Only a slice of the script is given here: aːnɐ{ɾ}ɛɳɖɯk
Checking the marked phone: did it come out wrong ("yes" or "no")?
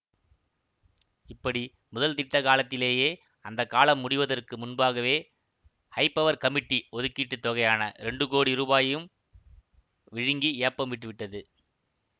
no